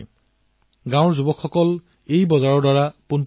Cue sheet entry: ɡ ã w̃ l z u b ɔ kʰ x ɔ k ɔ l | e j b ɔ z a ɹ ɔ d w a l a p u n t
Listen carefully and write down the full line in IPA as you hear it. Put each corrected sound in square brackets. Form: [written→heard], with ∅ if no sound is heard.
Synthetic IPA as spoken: ɡ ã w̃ [l→ɹ] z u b ɔ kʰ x ɔ k ɔ l | e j b ɔ z a ɹ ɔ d w a [l→ɹ] a p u n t